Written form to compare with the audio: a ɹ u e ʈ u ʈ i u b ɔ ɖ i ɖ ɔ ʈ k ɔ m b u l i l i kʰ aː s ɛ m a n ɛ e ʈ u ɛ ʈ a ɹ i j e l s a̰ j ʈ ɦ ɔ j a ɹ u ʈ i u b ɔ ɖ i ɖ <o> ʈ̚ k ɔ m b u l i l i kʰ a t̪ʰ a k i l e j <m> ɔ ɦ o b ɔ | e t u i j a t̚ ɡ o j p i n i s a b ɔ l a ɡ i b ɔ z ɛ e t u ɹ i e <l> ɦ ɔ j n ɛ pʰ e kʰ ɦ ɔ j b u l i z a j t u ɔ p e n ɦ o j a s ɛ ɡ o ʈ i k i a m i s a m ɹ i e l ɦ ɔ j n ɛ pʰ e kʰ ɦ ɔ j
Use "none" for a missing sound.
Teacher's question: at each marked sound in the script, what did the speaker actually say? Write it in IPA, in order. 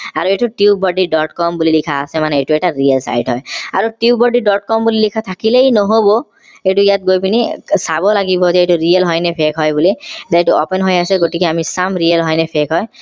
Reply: ɔ, n, l

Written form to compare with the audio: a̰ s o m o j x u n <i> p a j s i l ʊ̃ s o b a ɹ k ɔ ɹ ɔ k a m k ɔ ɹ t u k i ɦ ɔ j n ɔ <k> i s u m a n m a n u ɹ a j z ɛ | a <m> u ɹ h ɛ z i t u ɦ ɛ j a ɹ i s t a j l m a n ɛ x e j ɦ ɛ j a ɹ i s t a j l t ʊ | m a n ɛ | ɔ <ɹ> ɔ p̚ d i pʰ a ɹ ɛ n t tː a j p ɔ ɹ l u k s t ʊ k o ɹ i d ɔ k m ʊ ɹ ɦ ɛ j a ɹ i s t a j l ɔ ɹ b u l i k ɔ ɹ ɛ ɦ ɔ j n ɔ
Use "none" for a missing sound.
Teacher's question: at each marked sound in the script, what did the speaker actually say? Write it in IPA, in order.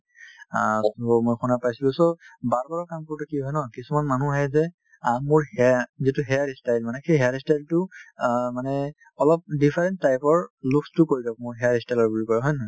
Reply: a, k, m, l

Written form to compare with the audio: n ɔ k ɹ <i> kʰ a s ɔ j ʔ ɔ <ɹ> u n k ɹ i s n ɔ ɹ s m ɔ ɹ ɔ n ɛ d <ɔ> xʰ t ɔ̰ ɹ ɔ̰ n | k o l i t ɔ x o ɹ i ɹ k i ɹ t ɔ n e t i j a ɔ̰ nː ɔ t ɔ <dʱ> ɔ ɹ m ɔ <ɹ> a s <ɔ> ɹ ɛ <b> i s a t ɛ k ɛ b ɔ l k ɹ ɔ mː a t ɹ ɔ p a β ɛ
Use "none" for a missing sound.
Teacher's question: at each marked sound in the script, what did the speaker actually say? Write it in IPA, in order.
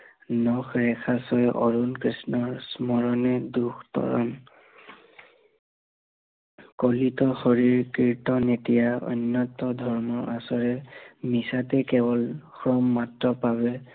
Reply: ɛ, ɹ, u, dʱ, ɹ, ɔ, m

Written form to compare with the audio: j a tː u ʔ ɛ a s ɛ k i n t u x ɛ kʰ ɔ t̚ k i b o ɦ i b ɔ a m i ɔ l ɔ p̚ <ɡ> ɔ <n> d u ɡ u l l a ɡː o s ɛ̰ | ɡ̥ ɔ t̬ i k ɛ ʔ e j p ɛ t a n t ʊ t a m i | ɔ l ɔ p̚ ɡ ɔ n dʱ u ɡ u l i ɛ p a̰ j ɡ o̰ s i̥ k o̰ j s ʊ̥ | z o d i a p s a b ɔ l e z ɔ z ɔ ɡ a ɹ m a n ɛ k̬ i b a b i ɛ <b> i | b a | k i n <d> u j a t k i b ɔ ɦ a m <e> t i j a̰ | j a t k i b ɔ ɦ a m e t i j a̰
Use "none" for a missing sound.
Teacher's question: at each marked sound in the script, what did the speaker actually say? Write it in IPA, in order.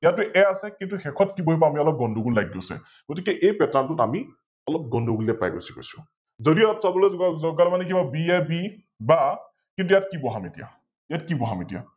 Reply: ɡ, n, b, t, e

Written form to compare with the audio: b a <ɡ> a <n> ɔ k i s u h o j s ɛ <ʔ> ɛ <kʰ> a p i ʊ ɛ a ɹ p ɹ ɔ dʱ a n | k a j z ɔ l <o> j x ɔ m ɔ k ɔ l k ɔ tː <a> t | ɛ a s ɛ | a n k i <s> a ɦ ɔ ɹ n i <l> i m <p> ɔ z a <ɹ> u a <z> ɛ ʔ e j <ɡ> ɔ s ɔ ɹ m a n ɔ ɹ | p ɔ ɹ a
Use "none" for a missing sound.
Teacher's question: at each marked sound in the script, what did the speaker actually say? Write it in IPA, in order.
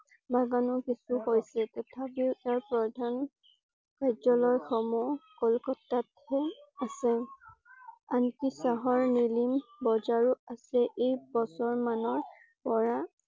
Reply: ɡ, n, t, tʰ, ɔ, a, s, l, b, ɹ, s, b

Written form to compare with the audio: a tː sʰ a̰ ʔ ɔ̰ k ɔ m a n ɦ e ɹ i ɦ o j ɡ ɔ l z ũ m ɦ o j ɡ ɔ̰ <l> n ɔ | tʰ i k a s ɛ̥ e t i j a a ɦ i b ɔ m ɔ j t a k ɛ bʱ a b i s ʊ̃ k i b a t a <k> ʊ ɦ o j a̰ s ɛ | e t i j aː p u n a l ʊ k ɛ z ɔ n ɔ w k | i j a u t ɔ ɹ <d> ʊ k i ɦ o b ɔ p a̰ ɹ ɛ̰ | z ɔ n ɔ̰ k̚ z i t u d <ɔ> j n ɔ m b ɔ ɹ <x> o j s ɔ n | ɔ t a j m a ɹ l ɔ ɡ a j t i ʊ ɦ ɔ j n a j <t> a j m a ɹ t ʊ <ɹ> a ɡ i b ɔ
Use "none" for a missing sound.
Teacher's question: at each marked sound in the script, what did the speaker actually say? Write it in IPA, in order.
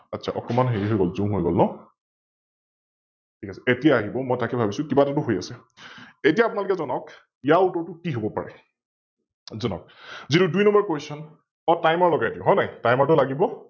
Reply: l, t, t, u, k, t, l

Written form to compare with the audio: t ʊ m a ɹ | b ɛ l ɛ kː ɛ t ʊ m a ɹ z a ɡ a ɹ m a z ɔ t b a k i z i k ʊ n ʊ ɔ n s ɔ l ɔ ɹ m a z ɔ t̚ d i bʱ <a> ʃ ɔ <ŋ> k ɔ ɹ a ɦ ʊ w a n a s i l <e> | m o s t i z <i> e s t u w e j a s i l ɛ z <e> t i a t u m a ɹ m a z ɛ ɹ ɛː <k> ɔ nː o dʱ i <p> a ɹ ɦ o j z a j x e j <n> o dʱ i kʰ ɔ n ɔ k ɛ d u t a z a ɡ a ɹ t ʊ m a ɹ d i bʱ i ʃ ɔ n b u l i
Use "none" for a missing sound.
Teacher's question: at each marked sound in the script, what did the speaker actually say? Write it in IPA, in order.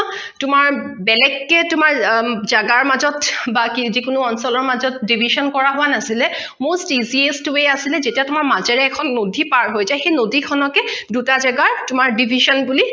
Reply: i, n, ɛ, i, e, kʰ, p, n

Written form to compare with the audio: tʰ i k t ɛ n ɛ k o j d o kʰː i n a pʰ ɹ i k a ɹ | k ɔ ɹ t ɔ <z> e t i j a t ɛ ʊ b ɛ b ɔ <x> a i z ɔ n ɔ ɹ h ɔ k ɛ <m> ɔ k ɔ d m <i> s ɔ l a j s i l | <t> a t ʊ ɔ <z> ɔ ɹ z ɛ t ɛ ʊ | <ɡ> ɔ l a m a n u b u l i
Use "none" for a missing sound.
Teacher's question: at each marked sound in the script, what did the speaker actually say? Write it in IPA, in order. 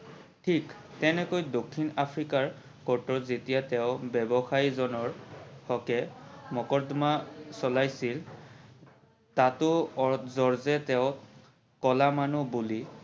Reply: z, x, m, a, t, z, k

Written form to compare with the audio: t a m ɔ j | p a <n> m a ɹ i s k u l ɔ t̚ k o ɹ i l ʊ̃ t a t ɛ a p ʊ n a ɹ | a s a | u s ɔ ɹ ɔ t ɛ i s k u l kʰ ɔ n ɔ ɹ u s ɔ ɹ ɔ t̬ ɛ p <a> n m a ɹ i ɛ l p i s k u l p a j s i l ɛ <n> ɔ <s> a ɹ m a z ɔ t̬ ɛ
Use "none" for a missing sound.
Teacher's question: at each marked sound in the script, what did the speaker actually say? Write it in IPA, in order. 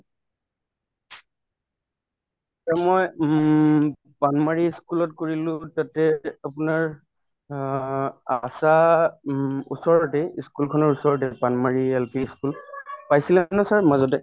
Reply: n, a, n, s

